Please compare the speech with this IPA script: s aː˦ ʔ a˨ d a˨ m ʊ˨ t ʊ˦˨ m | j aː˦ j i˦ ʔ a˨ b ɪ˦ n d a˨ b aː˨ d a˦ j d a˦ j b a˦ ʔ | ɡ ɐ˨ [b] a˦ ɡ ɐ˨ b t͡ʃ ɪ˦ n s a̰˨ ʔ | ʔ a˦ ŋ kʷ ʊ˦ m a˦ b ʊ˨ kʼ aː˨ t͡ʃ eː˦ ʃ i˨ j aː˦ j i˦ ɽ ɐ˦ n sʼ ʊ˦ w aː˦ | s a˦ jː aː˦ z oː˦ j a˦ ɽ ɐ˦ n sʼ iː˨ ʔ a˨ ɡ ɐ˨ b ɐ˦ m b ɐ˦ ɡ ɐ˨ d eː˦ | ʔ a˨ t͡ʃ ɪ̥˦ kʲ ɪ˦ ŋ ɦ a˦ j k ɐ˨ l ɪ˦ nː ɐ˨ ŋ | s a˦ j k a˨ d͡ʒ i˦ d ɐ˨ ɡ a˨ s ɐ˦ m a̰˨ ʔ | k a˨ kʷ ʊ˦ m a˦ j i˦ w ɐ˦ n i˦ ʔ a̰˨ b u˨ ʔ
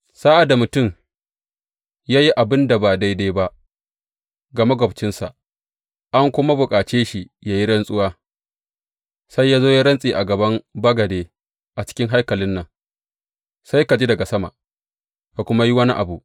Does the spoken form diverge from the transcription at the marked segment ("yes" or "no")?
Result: yes